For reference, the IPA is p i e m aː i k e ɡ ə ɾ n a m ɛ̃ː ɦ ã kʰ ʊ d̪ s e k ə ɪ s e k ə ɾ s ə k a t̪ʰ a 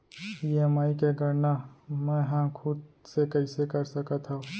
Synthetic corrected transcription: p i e m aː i k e ɡ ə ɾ n a m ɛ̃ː ɦ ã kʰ ʊ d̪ s e k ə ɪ s e k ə ɾ s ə k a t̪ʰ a